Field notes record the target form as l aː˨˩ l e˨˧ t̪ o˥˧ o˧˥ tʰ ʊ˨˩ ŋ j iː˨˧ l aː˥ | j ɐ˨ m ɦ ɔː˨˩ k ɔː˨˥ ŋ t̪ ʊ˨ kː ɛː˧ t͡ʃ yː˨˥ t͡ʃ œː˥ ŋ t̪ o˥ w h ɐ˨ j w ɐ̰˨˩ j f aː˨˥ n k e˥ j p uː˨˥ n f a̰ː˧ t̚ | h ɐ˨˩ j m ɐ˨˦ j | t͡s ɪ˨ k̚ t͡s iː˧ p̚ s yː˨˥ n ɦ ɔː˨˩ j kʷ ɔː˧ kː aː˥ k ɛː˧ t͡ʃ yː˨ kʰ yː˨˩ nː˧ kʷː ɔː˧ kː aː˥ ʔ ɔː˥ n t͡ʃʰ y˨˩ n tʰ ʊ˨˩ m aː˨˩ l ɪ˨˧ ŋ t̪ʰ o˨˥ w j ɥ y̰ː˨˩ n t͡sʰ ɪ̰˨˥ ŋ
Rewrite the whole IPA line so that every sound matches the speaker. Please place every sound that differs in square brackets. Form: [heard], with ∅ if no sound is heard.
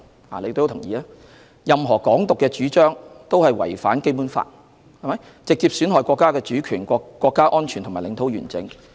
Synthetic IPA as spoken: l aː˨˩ l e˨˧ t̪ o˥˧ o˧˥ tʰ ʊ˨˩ ŋ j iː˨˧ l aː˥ | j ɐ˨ m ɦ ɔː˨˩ k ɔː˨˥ ŋ t̪ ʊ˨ kː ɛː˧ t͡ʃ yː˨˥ t͡ʃ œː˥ ŋ t̪ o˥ w h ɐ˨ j w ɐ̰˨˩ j f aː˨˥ n k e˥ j p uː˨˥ n f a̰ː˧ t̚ | h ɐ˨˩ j m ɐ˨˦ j | t͡s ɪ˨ k̚ t͡s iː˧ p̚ s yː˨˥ n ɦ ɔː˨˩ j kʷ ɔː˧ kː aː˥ k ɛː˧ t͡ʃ [yː˨˥] kʰ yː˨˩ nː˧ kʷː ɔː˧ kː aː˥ ʔ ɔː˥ n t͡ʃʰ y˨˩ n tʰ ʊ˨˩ m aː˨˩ l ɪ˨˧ ŋ t̪ʰ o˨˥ w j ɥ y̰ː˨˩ n [t͡s] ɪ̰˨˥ ŋ